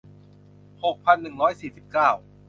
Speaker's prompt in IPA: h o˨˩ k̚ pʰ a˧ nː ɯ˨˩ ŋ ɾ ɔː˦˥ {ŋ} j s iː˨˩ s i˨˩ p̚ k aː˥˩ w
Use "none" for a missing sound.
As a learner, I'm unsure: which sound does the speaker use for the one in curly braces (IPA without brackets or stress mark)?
none